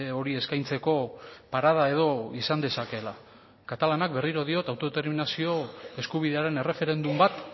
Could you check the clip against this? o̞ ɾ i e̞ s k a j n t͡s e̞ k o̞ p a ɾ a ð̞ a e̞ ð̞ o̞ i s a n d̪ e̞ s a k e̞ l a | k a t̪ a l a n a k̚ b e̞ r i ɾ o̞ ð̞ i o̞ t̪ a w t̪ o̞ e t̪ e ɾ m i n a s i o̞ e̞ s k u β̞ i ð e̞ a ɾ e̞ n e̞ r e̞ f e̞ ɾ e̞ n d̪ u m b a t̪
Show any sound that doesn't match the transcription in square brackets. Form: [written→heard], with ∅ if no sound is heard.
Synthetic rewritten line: o̞ ɾ i e̞ s k a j n t͡s e̞ k o̞ p a ɾ a ð̞ a e̞ ð̞ o̞ i s a n d̪ e̞ s a k e̞ l a | k a t̪ a l a n a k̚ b e̞ r i ɾ o̞ ð̞ i o̞ t̪ a w t̪ o̞ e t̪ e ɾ m i n a s i o̞ e̞ s k u β̞ i ð e̞ a ɾ e̞ n e̞ r e̞ f e̞ ɾ e̞ n d̪ u m b a t̪